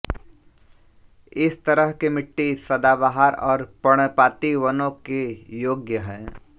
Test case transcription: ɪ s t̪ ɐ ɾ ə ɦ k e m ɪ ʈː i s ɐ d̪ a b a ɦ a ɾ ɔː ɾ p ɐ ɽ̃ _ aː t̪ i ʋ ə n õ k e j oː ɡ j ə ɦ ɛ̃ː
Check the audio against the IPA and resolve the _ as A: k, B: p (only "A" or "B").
B